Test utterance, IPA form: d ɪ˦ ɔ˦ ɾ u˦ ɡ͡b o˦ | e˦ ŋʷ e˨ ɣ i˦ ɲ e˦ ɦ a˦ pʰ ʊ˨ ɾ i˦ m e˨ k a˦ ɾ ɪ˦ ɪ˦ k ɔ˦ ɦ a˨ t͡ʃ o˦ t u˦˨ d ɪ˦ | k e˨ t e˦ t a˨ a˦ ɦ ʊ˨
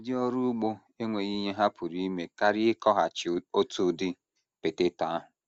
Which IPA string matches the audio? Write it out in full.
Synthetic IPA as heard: d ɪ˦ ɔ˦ ɾ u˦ ɡ͡b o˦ | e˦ ŋʷ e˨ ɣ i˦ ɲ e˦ ɦ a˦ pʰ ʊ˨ ɾ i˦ m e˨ k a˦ ɾ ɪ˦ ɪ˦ k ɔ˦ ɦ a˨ t͡ʃ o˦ t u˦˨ d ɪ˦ | p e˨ t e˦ t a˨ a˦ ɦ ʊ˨

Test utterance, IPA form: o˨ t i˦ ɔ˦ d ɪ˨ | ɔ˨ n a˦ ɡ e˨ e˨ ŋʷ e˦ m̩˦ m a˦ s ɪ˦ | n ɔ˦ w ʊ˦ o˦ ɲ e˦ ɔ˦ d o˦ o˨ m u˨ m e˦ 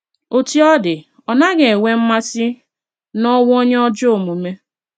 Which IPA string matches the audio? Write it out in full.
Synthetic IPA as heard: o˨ t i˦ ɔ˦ d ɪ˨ | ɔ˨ n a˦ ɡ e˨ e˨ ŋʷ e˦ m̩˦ m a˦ s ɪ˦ | n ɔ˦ w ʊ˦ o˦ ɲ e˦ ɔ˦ d͡ʒ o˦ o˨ m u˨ m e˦

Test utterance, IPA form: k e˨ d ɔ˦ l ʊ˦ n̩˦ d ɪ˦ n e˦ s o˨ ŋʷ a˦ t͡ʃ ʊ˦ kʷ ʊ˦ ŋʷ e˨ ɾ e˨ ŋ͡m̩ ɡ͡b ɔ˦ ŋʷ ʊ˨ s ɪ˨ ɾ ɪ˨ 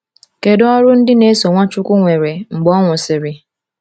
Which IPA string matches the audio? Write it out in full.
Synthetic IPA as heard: k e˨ d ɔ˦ ɾ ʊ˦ n̩˦ d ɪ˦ n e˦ s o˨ ŋʷ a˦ t͡ʃ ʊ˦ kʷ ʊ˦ ŋʷ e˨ ɾ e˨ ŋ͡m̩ ɡ͡b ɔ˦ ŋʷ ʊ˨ s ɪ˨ ɾ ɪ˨

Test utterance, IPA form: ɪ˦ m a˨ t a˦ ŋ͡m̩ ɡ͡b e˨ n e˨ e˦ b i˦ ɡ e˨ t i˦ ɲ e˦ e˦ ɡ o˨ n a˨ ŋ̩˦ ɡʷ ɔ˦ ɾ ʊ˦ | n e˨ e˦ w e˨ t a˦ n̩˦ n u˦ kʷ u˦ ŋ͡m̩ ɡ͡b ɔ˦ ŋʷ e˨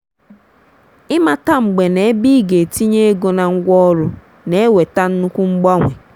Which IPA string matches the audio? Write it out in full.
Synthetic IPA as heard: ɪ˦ m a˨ t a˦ ŋ͡m̩ ɡ͡b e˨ n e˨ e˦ b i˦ ɡ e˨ t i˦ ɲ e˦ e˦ ɡ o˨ n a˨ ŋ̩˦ ɡʷ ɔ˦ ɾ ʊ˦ | n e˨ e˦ w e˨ t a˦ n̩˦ n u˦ kʷ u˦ ŋ͡m̩ ɡ͡b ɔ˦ ŋʷ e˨

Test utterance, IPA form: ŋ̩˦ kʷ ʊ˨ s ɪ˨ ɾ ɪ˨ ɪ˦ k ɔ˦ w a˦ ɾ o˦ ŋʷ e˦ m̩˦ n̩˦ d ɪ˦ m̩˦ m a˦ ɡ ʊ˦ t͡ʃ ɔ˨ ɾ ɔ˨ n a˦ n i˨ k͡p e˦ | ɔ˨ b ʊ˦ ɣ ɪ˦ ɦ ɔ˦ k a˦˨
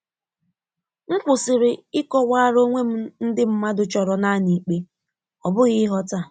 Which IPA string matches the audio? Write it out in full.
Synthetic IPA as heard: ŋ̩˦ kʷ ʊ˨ s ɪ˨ ɾ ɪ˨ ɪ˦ k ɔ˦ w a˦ ɾ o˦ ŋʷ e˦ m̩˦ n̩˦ d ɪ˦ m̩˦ m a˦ d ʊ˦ t͡ʃ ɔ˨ ɾ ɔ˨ n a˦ n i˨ k͡p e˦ | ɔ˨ b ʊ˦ ɣ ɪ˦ ɦ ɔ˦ t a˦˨

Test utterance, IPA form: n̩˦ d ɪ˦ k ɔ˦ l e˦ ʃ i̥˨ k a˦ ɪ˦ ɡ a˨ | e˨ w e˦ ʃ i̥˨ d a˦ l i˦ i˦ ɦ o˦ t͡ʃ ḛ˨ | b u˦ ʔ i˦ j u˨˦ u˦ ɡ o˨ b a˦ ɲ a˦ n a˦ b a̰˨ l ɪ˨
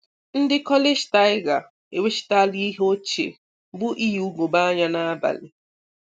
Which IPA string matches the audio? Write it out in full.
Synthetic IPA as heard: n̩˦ d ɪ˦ k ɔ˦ l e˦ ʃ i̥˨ t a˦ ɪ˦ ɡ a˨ | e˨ w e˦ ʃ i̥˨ t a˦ l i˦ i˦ ɦ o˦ t͡ʃ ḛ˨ | b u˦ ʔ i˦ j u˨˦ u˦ ɡ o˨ b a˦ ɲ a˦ n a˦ b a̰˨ l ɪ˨

